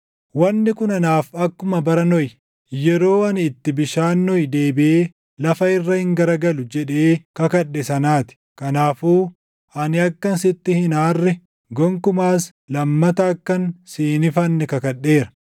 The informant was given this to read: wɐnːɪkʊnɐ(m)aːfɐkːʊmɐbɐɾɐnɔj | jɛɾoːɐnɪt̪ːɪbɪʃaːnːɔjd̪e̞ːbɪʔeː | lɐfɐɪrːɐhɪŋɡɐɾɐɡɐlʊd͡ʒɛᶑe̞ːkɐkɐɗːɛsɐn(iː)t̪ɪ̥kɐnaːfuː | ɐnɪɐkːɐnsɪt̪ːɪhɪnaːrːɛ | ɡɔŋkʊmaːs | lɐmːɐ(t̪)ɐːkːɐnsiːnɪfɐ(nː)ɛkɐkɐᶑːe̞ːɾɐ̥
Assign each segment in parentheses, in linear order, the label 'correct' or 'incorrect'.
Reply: incorrect, incorrect, correct, correct

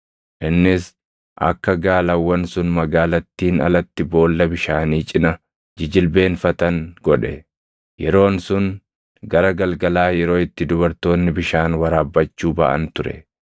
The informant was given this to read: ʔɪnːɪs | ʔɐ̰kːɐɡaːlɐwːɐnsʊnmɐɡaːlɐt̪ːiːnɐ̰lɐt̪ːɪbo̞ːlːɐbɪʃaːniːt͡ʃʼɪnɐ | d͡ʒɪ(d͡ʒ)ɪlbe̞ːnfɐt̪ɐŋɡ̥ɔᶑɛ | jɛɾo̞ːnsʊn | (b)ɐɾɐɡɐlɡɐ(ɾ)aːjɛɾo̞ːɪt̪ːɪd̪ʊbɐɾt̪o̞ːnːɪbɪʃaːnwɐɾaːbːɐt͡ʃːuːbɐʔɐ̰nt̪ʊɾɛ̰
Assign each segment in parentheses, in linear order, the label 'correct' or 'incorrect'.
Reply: correct, incorrect, incorrect

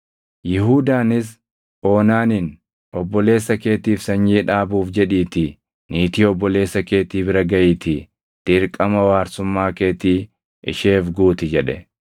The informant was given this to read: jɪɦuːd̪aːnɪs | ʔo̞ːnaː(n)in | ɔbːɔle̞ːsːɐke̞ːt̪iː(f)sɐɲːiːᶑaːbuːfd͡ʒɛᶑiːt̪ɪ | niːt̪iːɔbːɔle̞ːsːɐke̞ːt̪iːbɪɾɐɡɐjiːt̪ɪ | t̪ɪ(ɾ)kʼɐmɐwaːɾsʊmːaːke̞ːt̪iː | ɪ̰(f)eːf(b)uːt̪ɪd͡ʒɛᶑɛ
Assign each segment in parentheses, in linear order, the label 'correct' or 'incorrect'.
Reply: correct, correct, correct, incorrect, incorrect

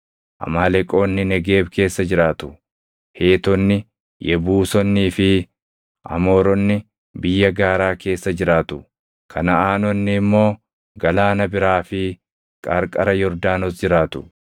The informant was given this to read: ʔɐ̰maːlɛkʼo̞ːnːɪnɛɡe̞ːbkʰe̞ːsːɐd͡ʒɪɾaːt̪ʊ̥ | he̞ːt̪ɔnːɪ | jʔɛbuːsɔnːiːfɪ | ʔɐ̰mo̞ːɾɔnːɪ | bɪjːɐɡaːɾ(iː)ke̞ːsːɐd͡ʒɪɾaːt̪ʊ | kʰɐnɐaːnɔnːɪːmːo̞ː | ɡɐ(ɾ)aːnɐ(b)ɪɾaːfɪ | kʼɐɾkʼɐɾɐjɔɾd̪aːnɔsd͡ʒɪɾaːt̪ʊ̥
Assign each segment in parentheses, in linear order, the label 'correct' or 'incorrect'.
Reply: incorrect, incorrect, correct

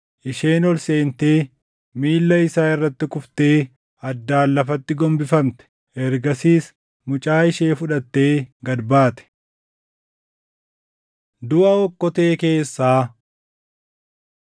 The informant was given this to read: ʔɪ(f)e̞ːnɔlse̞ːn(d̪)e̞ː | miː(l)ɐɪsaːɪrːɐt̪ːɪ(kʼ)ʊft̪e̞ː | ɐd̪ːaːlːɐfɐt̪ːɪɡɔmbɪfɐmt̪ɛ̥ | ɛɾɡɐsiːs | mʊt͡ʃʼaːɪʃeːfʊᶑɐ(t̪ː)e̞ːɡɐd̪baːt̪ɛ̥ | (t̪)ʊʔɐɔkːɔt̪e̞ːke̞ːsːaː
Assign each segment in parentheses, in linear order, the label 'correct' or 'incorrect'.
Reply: incorrect, incorrect, incorrect, incorrect, correct, incorrect

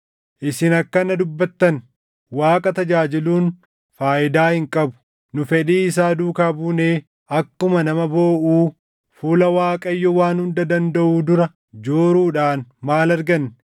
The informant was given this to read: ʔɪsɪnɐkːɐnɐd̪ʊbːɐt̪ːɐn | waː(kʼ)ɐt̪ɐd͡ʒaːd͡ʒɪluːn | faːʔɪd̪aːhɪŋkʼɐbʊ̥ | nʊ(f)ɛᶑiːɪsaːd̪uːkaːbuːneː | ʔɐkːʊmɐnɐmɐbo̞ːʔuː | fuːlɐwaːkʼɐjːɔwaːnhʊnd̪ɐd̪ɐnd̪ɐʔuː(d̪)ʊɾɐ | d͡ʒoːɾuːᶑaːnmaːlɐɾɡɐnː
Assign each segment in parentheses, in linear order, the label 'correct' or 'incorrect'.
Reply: correct, correct, correct

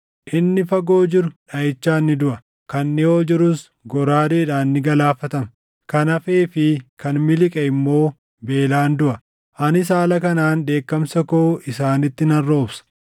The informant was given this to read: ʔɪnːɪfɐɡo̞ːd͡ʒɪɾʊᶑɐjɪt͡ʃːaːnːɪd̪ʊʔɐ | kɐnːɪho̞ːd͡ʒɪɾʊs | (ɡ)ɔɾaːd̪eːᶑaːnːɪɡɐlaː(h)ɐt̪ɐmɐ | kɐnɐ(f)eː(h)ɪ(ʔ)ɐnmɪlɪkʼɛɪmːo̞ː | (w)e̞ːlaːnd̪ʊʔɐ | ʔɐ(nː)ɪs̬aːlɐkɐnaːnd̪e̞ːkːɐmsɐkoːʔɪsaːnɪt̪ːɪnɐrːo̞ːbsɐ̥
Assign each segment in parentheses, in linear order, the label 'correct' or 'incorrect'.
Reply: correct, incorrect, correct, incorrect, incorrect, incorrect, incorrect

